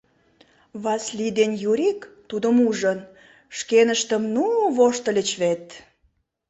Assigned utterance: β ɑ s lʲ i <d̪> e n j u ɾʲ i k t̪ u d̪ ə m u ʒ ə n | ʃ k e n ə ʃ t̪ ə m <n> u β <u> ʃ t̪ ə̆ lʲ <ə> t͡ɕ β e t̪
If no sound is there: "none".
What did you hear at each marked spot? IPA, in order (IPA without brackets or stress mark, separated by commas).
d̪, n, o, ə